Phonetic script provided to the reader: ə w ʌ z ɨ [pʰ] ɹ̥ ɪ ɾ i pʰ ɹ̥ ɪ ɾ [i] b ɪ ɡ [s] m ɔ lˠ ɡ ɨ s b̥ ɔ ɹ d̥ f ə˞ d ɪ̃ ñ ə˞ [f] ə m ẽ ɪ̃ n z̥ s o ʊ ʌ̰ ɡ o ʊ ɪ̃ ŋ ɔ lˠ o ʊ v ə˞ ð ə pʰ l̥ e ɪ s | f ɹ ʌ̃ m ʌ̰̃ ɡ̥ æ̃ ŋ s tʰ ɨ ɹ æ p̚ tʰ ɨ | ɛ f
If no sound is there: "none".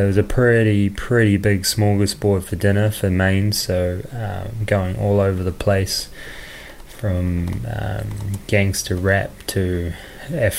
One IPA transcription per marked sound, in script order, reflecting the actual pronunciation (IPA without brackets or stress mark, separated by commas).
pʰ, i, s, f